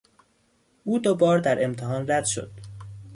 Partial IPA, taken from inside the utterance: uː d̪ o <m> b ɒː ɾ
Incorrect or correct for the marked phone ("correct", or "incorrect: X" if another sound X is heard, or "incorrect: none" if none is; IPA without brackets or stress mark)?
incorrect: none